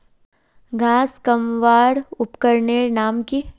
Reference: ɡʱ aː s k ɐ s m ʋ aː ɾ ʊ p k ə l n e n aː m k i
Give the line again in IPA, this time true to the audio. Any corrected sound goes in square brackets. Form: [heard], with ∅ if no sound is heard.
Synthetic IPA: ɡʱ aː s k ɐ [∅] m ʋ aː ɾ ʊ p k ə [ɾ] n e n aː m k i